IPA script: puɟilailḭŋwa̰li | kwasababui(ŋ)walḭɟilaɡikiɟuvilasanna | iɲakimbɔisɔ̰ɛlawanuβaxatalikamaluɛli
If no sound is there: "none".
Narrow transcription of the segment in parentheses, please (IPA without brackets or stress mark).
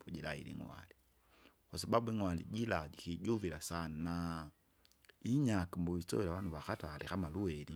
ŋ